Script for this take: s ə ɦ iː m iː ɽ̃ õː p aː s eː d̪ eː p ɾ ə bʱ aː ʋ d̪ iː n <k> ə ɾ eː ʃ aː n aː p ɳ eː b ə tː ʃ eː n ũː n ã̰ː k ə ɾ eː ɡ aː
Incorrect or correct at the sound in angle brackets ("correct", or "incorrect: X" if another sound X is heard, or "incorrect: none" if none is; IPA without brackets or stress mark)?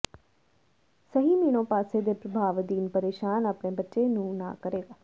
incorrect: p